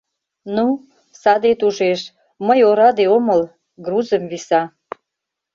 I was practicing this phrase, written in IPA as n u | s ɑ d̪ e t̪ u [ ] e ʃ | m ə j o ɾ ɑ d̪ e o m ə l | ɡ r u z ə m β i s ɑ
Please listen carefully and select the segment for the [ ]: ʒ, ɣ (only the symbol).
ʒ